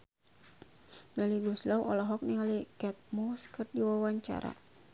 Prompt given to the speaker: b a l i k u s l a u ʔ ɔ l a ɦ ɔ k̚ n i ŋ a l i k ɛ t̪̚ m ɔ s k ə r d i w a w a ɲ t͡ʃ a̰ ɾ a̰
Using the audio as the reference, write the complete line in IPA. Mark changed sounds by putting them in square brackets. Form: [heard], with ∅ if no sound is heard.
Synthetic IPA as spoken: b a l i [ɡ] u s l a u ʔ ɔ l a ɦ ɔ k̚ n i ŋ a l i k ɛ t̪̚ m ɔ s k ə r d i w a w a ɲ t͡ʃ a̰ ɾ a̰